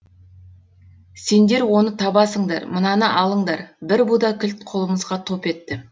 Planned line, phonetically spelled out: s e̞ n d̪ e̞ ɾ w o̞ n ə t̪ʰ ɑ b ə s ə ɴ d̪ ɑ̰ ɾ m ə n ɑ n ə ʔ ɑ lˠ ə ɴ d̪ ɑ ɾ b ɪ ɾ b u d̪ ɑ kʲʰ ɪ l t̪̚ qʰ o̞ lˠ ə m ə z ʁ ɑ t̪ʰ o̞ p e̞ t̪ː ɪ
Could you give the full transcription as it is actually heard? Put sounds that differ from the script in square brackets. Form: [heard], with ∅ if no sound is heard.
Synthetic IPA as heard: s e̞ n d̪ e̞ ɾ w o̞ n ə t̪ʰ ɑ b [ɑ] s ə ɴ d̪ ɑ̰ ɾ m ə n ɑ n ə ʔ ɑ lˠ ə ɴ d̪ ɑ ɾ b ɪ ɾ b u d̪ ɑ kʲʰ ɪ l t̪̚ qʰ o̞ lˠ ə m ə z ʁ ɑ t̪ʰ o̞ p e̞ t̪ː ɪ